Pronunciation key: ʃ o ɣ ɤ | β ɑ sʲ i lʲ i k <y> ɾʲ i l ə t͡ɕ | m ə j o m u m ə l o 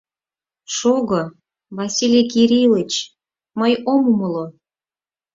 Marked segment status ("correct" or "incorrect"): incorrect